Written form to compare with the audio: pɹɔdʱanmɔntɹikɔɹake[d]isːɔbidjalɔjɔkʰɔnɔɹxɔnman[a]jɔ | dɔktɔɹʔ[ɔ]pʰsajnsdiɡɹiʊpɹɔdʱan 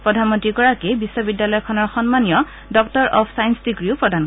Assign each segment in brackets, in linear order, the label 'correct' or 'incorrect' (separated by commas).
incorrect, incorrect, correct